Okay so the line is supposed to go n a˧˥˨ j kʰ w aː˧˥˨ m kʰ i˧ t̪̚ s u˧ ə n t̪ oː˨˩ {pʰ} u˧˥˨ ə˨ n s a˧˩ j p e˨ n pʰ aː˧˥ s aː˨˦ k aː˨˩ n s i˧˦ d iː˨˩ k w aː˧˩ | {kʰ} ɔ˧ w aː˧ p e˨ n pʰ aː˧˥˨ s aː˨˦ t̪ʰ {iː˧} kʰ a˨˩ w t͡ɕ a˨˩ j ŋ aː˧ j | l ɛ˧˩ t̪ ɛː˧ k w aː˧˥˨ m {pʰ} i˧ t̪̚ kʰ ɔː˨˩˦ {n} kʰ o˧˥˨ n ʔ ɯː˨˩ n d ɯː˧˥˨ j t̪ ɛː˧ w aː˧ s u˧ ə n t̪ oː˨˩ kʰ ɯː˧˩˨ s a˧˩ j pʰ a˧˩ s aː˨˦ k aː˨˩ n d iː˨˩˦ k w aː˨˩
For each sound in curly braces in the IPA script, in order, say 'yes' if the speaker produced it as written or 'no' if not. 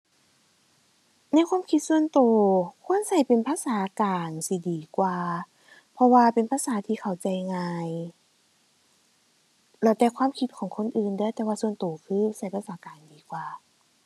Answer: no, no, yes, no, no

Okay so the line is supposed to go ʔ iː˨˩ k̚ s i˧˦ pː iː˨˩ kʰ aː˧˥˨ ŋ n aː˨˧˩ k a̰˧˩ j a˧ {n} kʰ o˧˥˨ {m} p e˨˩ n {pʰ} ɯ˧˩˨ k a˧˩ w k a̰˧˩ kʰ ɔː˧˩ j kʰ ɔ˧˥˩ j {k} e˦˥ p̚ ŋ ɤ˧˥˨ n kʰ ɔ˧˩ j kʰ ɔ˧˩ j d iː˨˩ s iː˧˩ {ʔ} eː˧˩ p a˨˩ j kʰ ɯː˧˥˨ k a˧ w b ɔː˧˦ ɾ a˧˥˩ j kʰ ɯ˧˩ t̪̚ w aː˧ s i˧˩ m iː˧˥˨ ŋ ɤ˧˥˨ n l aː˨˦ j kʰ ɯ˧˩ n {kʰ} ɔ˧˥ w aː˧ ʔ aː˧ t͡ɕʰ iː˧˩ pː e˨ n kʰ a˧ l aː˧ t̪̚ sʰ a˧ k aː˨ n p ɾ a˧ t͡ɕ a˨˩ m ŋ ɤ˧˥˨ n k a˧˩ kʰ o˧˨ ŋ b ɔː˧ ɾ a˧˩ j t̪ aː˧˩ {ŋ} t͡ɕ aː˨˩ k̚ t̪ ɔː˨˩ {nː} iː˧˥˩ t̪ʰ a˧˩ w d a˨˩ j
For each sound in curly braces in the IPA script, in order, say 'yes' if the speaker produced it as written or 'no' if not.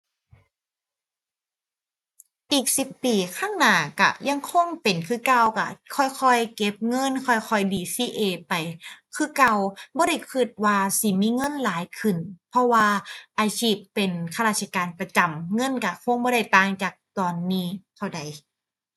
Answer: no, no, no, yes, yes, no, yes, yes

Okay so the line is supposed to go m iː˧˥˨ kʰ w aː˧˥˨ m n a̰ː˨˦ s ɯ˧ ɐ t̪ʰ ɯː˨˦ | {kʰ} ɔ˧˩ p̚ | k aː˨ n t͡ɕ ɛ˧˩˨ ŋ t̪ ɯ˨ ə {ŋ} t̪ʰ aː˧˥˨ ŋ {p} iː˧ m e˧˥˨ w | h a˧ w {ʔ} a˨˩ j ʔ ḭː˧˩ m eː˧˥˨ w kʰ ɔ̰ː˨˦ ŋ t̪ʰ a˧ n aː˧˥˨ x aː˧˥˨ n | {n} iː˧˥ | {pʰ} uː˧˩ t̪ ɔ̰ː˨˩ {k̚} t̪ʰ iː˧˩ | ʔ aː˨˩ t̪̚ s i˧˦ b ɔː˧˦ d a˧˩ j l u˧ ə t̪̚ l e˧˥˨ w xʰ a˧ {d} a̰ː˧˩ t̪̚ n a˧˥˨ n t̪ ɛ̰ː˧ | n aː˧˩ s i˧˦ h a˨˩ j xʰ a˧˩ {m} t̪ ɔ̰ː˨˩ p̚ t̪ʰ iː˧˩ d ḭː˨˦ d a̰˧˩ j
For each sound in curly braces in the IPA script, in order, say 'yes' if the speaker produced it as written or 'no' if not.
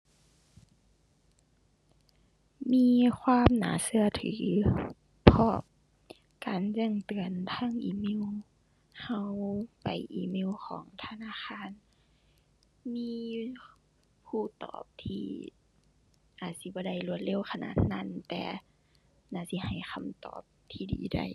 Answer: no, no, no, no, no, yes, no, no, yes

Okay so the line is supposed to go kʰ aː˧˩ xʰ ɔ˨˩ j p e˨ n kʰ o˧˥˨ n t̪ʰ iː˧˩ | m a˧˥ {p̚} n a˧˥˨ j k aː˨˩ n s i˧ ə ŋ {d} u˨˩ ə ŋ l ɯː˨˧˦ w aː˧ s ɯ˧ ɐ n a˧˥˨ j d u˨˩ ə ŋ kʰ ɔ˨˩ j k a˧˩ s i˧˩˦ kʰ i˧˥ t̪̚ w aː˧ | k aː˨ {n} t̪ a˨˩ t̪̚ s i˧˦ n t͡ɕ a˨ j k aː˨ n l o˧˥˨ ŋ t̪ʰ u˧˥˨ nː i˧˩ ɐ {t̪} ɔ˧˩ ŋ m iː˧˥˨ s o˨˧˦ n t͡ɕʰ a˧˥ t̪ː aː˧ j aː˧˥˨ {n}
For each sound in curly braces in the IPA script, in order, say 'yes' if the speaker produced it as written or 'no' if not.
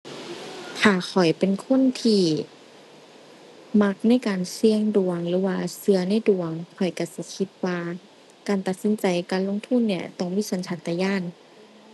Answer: no, yes, yes, yes, yes

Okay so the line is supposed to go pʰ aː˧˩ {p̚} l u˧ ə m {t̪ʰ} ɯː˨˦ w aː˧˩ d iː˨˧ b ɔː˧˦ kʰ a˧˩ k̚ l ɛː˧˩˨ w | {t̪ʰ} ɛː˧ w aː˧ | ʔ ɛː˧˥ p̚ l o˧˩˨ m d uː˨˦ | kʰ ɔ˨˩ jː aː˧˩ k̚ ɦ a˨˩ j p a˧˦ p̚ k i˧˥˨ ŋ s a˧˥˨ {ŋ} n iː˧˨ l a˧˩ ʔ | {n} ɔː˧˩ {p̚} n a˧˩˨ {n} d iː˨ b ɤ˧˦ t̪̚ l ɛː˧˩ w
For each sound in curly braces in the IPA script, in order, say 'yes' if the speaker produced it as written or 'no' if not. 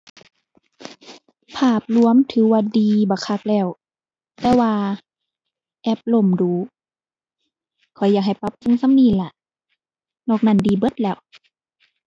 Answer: yes, yes, no, no, yes, no, yes

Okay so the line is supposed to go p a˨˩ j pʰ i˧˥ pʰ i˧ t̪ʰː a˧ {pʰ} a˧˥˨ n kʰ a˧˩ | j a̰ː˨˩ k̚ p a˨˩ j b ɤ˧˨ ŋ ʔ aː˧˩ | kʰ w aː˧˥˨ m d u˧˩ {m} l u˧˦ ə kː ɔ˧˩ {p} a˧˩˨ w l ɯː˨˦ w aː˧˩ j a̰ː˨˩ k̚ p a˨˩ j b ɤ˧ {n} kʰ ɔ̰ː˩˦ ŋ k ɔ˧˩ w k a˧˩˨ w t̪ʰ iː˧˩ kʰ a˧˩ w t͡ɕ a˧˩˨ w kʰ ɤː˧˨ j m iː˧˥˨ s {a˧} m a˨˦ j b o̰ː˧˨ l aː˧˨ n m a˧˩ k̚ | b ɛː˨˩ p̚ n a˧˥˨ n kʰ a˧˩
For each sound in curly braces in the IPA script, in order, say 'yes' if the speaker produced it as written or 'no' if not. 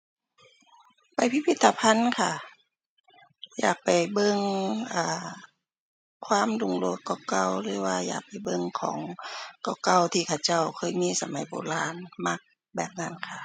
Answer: yes, no, no, no, yes

